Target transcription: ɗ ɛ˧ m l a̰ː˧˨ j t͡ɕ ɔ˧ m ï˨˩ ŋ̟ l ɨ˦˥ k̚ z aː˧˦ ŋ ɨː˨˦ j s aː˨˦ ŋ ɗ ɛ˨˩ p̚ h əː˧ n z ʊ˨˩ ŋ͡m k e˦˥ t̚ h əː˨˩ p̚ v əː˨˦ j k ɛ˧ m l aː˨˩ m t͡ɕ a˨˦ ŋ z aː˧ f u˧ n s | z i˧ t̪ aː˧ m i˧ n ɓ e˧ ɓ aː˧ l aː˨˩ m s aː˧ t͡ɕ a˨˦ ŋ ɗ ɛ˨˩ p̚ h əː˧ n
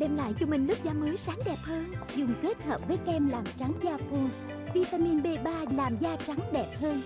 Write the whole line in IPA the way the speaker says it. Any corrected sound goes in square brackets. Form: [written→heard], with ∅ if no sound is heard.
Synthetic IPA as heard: ɗ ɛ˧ m l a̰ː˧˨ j t͡ɕ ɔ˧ m ï˨˩ ŋ̟ l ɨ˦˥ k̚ z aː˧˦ [ŋ→m] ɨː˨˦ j s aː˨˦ ŋ ɗ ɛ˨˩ p̚ h əː˧ n z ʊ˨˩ ŋ͡m k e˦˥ t̚ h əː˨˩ p̚ v əː˨˦ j k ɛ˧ m l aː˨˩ m t͡ɕ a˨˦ ŋ z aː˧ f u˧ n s | [z→v] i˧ t̪ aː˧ m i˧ n ɓ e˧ ɓ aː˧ l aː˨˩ m [s→z] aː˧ t͡ɕ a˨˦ ŋ ɗ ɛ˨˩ p̚ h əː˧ n